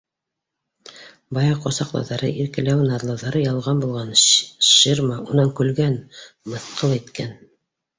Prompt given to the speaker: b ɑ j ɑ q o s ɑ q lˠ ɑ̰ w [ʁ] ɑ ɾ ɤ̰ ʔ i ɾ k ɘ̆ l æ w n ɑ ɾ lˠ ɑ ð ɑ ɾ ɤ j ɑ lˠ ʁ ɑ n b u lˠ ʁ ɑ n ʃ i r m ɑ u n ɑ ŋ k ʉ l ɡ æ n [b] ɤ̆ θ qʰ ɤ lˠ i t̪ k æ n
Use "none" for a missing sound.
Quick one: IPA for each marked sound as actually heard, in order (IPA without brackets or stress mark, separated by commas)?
ð, m